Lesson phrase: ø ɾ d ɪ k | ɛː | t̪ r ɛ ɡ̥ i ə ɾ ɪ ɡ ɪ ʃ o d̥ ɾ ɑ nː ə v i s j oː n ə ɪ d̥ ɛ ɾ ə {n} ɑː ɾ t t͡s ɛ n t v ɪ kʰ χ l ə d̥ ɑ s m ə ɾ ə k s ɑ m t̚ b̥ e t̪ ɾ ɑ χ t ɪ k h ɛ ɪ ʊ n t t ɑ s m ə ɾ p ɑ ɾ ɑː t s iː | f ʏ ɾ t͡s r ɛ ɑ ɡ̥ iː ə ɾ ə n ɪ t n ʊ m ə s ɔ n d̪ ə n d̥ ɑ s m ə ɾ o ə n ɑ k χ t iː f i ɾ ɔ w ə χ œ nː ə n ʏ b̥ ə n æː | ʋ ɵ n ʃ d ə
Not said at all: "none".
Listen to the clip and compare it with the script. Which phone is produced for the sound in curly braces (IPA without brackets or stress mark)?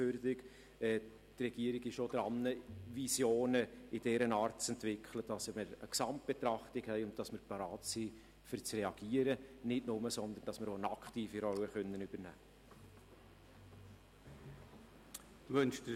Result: n